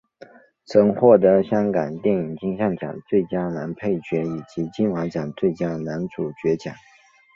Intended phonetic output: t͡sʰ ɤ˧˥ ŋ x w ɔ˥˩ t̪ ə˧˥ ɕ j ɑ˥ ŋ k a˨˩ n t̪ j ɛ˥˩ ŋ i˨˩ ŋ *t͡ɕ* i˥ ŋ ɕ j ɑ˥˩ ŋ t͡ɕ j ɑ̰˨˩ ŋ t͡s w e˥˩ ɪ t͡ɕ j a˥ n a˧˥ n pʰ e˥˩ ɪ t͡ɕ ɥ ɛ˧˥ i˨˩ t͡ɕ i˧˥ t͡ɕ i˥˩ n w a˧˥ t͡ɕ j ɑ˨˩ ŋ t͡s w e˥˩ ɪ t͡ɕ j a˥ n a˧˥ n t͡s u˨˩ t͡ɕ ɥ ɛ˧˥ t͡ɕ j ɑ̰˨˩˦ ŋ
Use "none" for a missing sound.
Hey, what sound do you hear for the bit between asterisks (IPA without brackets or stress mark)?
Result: t͡ɕ